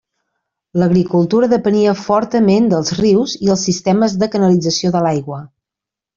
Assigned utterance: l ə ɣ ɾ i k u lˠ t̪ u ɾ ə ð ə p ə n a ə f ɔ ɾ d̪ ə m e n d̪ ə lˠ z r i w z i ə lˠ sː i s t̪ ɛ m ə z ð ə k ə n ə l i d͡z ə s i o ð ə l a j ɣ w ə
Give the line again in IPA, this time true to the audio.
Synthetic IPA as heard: l ə ɣ ɾ i k u lˠ t̪ u ɾ ə ð ə p ə n i ə f ɔ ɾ t̪ ə m e n d̪ ə lˠ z r i w z i ə lˠ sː i s t̪ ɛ m ə z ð ə k ə n ə l i d͡z ə s i o ð ə l a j ɣ w ə

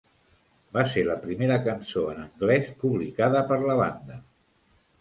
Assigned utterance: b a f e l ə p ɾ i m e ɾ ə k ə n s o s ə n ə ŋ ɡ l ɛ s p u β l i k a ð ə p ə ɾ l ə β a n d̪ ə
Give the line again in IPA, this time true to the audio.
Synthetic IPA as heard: b a s e l ə p ɾ i m e ɾ ə k ə n s o ə n ə ŋ ɡ l ɛ s p u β l i k a ð ə p ə ɾ l ə β a n d̪ ə

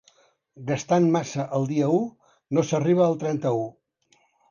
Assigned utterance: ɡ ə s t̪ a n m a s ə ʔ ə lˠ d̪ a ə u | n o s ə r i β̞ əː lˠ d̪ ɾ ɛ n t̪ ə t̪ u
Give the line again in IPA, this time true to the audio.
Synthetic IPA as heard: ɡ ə s t̪ a n m a s ə ʔ ə lˠ d̪ i ə u | n o s ə r i β̞ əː lˠ t̪ ɾ ɛ n t̪ ə u

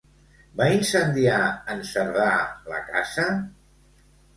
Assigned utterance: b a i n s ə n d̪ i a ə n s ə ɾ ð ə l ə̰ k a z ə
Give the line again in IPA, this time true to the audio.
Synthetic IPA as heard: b a i n s ə n d̪ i a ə n s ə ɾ ð a l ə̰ k a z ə

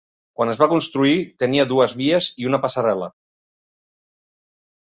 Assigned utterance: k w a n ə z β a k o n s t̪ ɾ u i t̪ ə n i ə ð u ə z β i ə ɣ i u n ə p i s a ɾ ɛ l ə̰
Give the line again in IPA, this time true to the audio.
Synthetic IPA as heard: k w a n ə z β a k u n s t̪ ɾ u i t̪ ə n i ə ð u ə z β i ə z i u n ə p a s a ɾ ɛ l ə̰

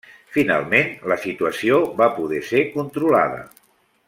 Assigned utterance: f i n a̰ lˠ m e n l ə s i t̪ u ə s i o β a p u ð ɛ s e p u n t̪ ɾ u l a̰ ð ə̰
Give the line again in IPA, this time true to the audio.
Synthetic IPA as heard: f i n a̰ lˠ m e n l ə s i t̪ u ə s i o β a p u ð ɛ s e k u n t̪ ɾ u l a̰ ð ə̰

